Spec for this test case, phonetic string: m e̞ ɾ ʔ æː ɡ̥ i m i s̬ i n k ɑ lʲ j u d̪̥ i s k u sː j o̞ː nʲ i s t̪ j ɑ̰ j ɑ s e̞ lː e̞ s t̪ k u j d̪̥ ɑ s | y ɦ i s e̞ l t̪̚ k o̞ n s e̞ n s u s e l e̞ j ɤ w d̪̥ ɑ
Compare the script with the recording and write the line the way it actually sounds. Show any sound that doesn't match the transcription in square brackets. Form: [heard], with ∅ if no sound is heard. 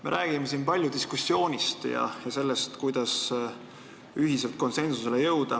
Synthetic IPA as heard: m e̞ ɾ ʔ æː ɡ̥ i m [e] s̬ i n [p] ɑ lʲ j u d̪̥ i s k u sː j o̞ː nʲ i s t̪ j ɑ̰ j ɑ s e̞ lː e̞ s t̪ k u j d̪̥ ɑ s | y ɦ i s e̞ l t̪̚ k o̞ n s e̞ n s u s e l e̞ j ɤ w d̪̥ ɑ